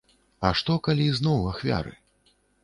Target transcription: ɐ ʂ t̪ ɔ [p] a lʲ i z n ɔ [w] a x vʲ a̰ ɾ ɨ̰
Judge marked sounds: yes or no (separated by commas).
no, yes